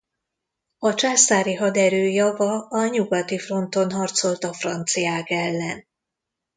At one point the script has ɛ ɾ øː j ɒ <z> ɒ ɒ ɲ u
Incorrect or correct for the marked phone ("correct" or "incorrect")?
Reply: incorrect